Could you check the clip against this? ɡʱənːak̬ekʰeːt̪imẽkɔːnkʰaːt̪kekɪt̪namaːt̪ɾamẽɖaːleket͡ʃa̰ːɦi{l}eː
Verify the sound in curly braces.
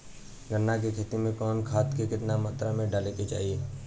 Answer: incorrect: none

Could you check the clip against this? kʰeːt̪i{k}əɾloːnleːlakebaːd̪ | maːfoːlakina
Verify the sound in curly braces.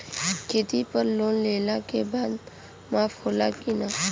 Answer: incorrect: p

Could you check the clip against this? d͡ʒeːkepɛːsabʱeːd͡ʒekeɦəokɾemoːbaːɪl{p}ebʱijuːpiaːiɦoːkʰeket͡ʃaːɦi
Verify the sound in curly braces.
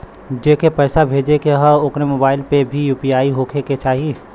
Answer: correct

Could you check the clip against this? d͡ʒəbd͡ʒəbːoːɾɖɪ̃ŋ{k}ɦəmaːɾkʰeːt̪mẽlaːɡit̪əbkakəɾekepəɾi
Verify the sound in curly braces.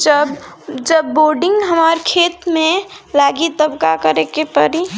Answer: incorrect: ɡ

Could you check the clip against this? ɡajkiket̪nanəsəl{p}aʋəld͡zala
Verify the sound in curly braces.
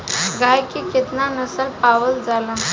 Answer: correct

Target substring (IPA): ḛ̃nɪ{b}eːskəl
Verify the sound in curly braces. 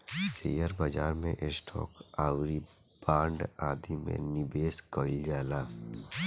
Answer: correct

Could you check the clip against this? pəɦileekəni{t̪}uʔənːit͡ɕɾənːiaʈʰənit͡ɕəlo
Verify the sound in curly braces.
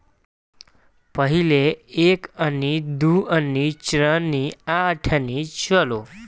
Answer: incorrect: d̪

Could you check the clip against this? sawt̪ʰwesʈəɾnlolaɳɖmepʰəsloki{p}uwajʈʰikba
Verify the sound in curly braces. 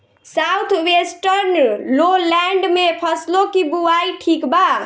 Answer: incorrect: b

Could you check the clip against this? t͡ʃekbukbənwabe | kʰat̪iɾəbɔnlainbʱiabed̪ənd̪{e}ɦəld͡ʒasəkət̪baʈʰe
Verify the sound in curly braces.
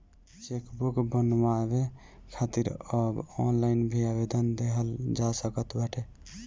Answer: correct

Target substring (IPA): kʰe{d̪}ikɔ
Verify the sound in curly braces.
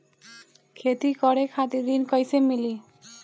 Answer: incorrect: t̪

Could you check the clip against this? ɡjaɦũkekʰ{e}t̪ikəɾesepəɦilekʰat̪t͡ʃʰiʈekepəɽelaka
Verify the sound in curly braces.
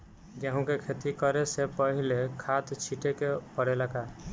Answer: correct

